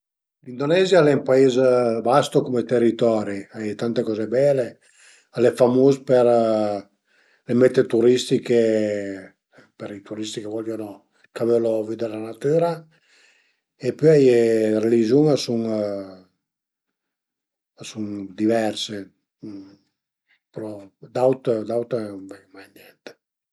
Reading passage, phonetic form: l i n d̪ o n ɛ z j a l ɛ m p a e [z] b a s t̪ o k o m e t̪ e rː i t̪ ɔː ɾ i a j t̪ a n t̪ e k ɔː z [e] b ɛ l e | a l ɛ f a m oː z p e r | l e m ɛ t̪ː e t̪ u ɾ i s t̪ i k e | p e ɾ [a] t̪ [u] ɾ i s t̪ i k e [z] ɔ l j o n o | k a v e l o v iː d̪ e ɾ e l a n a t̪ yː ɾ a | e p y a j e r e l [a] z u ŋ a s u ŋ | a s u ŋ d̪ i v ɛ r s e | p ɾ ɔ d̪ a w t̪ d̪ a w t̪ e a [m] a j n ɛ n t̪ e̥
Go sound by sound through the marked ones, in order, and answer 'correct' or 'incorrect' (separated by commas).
correct, correct, incorrect, correct, incorrect, incorrect, correct